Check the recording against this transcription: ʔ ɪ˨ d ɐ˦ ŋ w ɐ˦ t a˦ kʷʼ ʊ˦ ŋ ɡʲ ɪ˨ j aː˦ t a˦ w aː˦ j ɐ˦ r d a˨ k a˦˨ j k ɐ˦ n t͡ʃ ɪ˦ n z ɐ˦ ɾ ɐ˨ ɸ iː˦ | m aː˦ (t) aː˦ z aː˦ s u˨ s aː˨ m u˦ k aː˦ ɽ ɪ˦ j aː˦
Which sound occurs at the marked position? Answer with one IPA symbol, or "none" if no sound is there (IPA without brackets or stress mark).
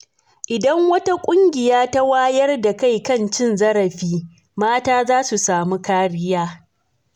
t